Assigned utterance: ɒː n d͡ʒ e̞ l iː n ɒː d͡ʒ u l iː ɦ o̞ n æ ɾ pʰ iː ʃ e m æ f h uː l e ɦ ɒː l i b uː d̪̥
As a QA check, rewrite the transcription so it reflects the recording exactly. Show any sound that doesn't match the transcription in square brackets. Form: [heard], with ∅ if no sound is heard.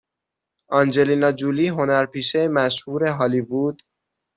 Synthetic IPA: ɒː n d͡ʒ e̞ l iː n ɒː d͡ʒ u l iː ɦ o̞ n æ ɾ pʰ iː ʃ e m æ [ʃ] h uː [ɾ] e ɦ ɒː l i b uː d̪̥

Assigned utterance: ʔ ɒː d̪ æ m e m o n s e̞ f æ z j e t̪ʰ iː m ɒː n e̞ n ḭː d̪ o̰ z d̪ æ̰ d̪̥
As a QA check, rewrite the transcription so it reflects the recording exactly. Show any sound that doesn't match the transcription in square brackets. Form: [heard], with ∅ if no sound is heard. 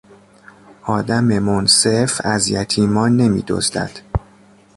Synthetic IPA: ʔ ɒː d̪ æ m e m o n s e̞ f æ z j [æ] t̪ʰ iː m ɒː n e̞ [m] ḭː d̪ o̰ z d̪ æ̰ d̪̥

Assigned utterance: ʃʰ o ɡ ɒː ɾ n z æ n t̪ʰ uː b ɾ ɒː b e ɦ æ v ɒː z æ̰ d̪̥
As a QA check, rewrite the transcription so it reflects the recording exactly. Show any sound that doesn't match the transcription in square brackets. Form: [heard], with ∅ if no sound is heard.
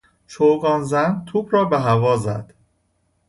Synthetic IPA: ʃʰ o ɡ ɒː [∅] n z æ n t̪ʰ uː b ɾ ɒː b e ɦ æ v ɒː z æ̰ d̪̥

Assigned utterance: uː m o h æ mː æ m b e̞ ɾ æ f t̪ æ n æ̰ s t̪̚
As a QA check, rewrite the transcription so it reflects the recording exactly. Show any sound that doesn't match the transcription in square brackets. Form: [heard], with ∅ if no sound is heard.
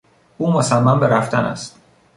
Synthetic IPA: uː m o [s] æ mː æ m b e̞ ɾ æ f t̪ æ n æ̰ s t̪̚

